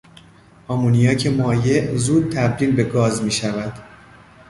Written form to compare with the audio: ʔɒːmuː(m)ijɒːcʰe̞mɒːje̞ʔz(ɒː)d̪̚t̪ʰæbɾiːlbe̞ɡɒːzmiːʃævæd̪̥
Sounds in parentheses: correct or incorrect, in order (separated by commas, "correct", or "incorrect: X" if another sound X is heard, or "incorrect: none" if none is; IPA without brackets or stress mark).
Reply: incorrect: n, incorrect: uː